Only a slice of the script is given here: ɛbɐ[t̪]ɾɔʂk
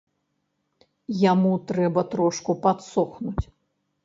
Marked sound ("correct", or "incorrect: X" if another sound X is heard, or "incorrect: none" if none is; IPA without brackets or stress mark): correct